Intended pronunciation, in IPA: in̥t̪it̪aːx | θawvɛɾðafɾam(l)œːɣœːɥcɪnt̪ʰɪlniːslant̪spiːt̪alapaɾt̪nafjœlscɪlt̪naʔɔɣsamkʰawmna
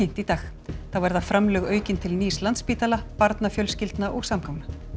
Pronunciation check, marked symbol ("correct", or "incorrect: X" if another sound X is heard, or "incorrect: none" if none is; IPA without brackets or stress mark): correct